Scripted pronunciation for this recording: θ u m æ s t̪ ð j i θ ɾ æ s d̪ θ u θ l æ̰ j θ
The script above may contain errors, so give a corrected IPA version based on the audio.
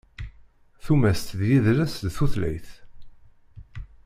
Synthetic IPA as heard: θ u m æ s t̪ ð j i ð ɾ æ s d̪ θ u θ l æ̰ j θ